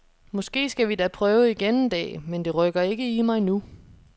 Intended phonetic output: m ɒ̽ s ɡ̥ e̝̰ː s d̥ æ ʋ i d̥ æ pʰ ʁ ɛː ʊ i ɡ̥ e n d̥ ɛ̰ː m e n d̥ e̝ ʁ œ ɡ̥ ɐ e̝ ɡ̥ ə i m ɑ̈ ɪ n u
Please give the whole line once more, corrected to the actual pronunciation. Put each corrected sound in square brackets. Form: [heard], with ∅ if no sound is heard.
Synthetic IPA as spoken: m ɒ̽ s ɡ̥ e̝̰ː s [ɡ̥] æ ʋ i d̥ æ pʰ ʁ [œː] ʊ i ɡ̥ e n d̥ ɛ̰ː m e n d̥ e̝ ʁ œ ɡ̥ ɐ e̝ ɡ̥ ə i m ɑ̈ ɪ n u